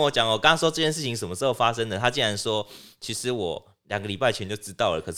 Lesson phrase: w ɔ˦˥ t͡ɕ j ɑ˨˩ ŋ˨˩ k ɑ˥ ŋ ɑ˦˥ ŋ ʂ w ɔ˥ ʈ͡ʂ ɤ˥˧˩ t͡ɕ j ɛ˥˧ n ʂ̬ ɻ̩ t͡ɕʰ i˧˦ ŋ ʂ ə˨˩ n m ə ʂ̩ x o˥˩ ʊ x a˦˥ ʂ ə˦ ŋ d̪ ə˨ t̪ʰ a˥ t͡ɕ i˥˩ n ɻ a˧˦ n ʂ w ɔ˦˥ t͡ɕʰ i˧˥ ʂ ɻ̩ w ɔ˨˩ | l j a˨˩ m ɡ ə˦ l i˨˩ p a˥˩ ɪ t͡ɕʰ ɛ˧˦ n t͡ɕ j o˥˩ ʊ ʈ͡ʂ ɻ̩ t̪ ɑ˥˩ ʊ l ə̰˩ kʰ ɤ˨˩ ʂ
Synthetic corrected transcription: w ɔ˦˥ t͡ɕ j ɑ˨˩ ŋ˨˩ k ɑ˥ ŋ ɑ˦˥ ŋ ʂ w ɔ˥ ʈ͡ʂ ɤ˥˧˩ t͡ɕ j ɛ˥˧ n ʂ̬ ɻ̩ t͡ɕʰ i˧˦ ŋ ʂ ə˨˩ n m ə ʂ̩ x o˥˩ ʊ f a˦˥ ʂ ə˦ ŋ d̪ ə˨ t̪ʰ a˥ t͡ɕ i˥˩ n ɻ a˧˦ n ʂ w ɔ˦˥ t͡ɕʰ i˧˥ ʂ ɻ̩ w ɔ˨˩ | l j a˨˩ ŋ ɡ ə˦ l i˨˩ p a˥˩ ɪ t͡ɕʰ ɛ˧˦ n t͡ɕ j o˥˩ ʊ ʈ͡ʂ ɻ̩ t̪ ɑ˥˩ ʊ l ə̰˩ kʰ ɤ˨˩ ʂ